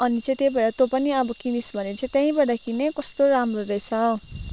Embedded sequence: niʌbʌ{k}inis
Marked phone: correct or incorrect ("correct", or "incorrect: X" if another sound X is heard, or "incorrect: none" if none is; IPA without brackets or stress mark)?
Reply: correct